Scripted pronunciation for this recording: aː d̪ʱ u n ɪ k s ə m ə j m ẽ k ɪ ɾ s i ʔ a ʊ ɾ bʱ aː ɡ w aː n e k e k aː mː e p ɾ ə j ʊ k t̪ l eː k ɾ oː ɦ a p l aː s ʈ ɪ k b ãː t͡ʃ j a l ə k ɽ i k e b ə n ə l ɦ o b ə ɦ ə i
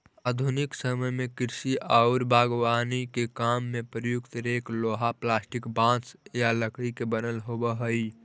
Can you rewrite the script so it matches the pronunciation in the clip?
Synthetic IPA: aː d̪ʱ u n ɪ k s ə m ə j m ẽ k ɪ ɾ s i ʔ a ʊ ɾ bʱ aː ɡ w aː n i k e k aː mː e p ɾ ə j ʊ k t̪ ɾ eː k l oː ɦ a p l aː s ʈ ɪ k b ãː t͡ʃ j a l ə k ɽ i k e b ə n ə l ɦ o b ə ɦ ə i